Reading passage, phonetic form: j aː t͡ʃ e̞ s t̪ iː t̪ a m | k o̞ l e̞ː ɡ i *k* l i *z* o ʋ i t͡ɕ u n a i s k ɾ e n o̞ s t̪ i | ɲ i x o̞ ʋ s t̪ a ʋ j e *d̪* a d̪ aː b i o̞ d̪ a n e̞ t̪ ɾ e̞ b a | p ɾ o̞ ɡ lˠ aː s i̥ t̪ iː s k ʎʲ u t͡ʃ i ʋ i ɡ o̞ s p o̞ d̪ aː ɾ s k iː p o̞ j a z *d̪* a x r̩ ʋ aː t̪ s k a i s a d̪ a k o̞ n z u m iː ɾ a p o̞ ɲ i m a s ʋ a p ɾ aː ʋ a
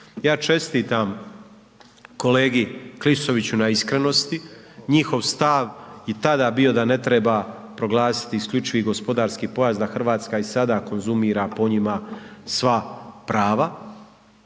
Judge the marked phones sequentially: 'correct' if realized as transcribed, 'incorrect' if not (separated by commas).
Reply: correct, incorrect, incorrect, correct